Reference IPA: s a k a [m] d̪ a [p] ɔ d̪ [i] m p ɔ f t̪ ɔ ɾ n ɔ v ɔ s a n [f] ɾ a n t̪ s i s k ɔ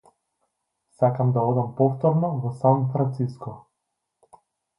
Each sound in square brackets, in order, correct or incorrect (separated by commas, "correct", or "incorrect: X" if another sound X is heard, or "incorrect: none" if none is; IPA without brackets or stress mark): correct, incorrect: none, incorrect: a, correct